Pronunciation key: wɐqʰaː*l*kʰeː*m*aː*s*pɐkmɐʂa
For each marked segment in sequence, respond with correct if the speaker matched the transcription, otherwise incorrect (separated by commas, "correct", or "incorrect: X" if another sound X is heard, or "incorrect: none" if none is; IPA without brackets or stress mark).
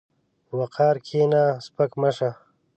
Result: incorrect: ɾ, incorrect: n, correct